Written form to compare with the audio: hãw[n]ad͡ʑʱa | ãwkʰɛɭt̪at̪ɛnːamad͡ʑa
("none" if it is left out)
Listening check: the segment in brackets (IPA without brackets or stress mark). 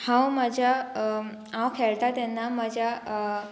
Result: m